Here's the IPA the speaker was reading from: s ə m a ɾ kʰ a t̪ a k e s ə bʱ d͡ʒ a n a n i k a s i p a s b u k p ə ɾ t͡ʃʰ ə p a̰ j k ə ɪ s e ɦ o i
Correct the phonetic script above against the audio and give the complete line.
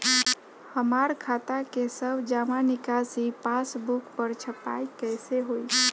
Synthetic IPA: h ə m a ɾ kʰ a t̪ a k e s ə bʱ d͡ʒ a m a n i k a s i p a s b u k p ə ɾ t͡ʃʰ ə p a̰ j k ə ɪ s e ɦ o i